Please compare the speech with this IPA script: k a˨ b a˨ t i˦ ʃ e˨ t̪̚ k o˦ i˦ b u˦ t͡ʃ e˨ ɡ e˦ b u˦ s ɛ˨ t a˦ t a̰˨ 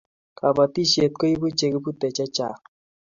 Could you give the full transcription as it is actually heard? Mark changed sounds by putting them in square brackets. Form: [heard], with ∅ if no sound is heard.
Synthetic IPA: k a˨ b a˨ t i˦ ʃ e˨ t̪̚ k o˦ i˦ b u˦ t͡ʃ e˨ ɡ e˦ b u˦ [t] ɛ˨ [t͡ʃ] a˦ [t͡ʃ] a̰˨